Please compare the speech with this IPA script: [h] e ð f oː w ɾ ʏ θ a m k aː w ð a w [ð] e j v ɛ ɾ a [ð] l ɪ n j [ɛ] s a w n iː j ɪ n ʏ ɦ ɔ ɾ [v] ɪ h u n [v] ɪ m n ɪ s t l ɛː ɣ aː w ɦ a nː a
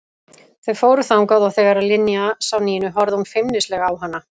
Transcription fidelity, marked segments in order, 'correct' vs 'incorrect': incorrect: θ, incorrect: θ, correct, incorrect: a, incorrect: ð, incorrect: f

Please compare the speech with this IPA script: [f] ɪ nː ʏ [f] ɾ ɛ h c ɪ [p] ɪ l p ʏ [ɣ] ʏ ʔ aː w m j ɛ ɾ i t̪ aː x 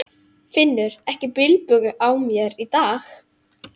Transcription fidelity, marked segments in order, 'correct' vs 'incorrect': correct, incorrect: none, correct, correct

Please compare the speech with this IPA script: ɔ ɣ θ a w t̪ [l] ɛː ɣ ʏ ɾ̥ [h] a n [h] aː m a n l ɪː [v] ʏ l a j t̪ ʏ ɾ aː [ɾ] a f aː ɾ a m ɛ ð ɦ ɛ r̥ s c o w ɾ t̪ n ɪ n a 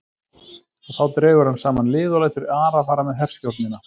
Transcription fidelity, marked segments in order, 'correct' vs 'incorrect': incorrect: ɾ, correct, incorrect: s, incorrect: ð, correct

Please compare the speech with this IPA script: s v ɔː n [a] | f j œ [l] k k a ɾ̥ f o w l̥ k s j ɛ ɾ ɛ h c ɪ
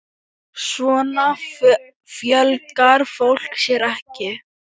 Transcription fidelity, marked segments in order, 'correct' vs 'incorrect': correct, correct

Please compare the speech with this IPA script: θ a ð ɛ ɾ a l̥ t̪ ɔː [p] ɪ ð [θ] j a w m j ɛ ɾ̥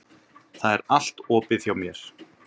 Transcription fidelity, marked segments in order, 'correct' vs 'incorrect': correct, correct

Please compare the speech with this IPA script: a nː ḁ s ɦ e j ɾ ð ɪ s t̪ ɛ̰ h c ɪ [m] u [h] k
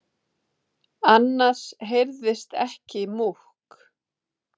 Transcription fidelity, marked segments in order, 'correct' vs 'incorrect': correct, correct

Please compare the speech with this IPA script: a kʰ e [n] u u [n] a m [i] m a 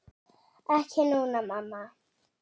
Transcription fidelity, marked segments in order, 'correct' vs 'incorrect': correct, correct, incorrect: a

